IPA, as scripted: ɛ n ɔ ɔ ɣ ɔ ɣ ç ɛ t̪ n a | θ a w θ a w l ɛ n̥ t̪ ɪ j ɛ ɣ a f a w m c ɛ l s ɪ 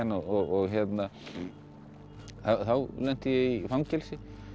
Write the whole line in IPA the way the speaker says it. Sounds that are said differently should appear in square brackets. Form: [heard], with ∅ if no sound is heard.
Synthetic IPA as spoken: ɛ n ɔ ɔ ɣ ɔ ɣ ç ɛ t̪ n a | θ a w θ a w l ɛ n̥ t̪ ɪ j ɛ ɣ [i] f a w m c ɛ l s ɪ